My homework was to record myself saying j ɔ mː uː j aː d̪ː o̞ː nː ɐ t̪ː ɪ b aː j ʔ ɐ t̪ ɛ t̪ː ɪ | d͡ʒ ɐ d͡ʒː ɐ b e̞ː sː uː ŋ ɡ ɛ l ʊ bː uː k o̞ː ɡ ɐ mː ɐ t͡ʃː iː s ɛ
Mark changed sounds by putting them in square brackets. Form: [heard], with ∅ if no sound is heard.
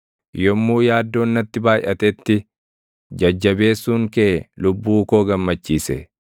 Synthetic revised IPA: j ɔ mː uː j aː d̪ː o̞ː nː ɐ t̪ː ɪ b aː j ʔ ɐ t̪ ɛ t̪ː ɪ | d͡ʒ ɐ d͡ʒː ɐ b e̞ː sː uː ŋ [k] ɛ l ʊ bː uː k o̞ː ɡ ɐ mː ɐ t͡ʃː iː s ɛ